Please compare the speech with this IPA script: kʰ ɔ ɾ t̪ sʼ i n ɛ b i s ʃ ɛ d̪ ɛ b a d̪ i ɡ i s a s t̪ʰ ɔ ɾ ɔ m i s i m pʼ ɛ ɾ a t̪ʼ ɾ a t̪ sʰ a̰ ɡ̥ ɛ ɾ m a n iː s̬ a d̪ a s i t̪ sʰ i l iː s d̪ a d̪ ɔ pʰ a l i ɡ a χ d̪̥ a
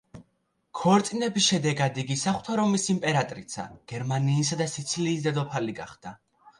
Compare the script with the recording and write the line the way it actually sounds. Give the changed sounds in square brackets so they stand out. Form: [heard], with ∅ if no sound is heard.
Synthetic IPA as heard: kʰ ɔ ɾ t̪ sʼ i n ɛ b i s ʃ ɛ d̪ ɛ [ɡ] a d̪ i ɡ i s a [χ] t̪ʰ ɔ ɾ ɔ m i s i m pʼ ɛ ɾ a t̪ʼ ɾ [i] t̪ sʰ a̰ ɡ̥ ɛ ɾ m a n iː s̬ a d̪ a s i t̪ sʰ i l iː s d̪ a d̪ ɔ pʰ a l i ɡ a χ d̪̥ a